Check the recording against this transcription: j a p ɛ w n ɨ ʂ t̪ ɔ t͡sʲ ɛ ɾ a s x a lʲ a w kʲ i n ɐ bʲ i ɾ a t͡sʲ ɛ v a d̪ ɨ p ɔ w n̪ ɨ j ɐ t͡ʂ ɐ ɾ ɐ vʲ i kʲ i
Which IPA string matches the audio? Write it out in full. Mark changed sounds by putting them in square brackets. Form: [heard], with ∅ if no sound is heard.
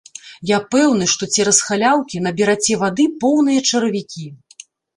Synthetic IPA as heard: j a p ɛ w n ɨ ʂ t̪ ɔ t͡sʲ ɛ ɾ [ɐ] s x a lʲ a w kʲ i n ɐ bʲ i ɾ a t͡sʲ ɛ v a d̪ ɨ p ɔ w n̪ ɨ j ɐ t͡ʂ ɐ ɾ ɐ vʲ i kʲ i